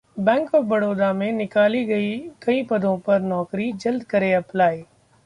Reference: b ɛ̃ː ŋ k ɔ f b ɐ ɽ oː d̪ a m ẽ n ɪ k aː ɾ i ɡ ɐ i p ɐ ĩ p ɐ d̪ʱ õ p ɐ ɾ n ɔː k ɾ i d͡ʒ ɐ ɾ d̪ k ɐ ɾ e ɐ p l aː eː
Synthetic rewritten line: b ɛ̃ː ŋ k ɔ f b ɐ ɽ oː d̪ a m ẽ n ɪ k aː l i ɡ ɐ i k ɐ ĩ p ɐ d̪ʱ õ p ɐ ɾ n ɔː k ɾ i d͡ʒ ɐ l d̪ k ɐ ɾ e ɐ p l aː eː